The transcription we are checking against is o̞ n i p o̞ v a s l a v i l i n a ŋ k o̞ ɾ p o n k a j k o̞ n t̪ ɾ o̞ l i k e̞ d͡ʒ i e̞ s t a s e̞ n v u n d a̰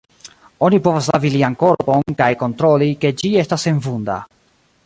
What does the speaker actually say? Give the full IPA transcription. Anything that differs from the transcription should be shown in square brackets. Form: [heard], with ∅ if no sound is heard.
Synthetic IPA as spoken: o̞ n i p o̞ v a s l a v i l i [∅] a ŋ k o̞ ɾ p o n k a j k o̞ n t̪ ɾ o̞ l i k e̞ d͡ʒ i e̞ s t a s e̞ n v u n d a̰

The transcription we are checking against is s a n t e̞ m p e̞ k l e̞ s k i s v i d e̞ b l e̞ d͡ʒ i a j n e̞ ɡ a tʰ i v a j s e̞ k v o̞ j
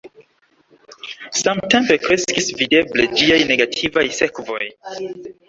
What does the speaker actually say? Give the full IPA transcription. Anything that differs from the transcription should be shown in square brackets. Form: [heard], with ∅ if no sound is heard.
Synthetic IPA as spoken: s a [m] t e̞ m p e̞ k [ɾ] e̞ s k i s v i d e̞ b l e̞ d͡ʒ i a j n e̞ ɡ a tʰ i v a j s e̞ k v o̞ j

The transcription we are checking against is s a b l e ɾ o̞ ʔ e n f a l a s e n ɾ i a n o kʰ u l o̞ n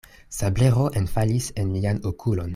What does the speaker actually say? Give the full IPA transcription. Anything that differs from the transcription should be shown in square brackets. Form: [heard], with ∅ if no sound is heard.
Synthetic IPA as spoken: s a b l e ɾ o̞ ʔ e n f a l [i] s e n [l] i a n o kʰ u l o̞ n

